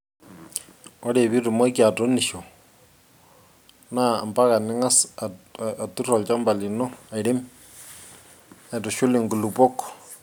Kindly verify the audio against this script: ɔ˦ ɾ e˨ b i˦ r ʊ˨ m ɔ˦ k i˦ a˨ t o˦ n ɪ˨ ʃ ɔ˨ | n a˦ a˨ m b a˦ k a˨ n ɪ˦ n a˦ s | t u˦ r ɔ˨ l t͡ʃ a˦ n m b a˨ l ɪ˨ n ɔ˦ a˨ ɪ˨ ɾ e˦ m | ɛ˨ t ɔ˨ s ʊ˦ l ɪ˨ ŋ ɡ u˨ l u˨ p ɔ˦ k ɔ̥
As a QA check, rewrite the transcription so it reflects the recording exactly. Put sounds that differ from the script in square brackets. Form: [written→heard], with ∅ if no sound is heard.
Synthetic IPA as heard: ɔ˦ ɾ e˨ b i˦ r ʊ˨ m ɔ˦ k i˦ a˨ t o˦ n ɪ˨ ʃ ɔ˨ | n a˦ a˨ m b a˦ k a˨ n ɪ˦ [n→ŋ] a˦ s | t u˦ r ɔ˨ l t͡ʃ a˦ [n→∅] m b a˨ l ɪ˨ n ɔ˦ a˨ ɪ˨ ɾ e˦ m | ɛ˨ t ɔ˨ [s→ʃ] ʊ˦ l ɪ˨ ŋ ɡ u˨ l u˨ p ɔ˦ k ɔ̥